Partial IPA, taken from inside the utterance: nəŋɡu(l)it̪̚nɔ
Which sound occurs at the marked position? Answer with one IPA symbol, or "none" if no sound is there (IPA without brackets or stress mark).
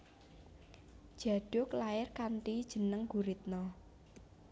ɾ